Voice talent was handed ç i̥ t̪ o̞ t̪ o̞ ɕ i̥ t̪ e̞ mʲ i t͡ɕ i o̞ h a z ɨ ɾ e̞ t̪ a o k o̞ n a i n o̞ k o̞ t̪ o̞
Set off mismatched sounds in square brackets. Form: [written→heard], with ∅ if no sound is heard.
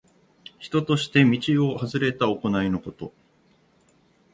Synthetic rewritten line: ç i̥ t̪ o̞ t̪ o̞ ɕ i̥ t̪ e̞ mʲ i t͡ɕ i o̞ h a z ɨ ɾ e̞ t̪ a o k o̞ n a i n o̞ k o̞ t̪ o̞